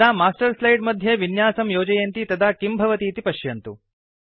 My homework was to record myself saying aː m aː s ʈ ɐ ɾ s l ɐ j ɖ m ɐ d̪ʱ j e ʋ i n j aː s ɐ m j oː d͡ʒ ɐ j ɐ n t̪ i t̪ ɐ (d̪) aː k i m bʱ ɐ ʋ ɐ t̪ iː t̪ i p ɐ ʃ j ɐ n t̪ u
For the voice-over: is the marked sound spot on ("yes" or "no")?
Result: yes